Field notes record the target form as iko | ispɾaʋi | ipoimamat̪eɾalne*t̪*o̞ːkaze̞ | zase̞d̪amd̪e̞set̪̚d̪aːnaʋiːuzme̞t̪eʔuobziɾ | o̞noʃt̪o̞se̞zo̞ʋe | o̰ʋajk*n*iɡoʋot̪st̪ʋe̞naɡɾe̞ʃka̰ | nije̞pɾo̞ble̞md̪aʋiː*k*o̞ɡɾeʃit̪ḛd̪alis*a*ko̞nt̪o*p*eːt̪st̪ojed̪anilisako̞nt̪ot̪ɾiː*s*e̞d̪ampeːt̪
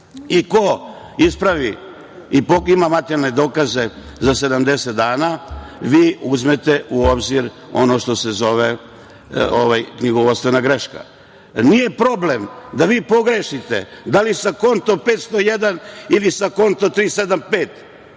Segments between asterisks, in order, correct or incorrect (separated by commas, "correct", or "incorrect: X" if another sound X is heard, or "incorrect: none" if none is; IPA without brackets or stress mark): incorrect: d̪, incorrect: ɲ, incorrect: p, correct, correct, correct